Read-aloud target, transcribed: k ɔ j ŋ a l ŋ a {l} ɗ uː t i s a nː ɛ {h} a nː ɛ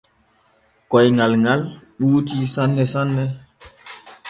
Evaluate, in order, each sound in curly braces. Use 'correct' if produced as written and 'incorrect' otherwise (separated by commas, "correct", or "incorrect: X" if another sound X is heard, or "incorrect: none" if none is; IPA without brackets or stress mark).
correct, incorrect: s